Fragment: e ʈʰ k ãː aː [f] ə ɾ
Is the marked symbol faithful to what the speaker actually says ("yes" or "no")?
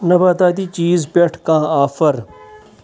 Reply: yes